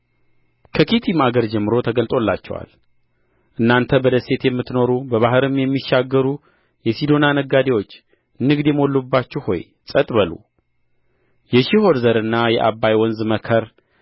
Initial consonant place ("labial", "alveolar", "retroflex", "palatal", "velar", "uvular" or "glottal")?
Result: velar